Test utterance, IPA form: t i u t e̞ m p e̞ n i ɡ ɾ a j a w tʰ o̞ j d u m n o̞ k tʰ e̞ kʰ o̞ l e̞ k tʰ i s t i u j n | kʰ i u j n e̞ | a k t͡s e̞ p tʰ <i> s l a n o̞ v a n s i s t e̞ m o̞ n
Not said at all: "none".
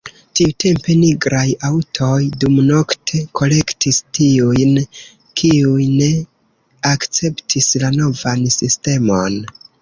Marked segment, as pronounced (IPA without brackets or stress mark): i